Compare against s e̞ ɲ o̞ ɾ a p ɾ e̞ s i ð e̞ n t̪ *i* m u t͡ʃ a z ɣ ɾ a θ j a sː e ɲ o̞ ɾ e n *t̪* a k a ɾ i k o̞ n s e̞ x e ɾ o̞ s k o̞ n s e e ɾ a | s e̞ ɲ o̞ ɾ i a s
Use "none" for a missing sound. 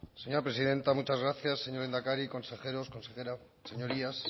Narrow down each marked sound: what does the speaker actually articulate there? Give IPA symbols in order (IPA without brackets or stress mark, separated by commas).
a, d̪